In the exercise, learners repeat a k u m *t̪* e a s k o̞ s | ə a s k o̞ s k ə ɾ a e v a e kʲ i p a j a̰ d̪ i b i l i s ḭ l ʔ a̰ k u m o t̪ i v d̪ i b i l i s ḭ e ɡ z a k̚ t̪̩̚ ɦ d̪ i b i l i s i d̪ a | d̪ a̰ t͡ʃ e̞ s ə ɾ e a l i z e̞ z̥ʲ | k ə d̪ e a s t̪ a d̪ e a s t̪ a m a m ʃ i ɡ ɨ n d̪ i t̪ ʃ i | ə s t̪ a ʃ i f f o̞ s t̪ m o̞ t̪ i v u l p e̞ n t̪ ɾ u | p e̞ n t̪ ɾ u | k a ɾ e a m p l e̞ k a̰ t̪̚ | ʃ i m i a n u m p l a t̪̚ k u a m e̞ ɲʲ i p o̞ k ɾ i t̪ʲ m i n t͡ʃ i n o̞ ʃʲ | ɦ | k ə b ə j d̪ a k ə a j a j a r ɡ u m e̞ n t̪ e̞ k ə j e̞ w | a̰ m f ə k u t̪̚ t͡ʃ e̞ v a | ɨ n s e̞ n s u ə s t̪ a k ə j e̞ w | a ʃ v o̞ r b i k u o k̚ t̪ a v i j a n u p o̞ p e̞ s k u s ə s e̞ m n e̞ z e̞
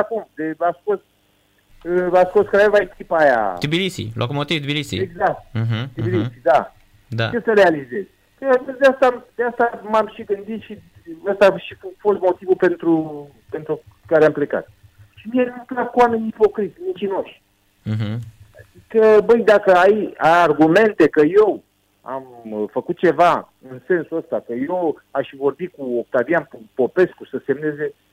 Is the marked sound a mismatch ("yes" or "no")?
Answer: yes